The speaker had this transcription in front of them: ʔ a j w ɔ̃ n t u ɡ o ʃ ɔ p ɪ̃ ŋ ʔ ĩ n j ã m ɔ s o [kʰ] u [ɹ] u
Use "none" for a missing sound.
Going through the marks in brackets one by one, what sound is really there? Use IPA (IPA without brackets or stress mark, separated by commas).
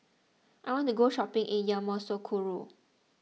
kʰ, ɹ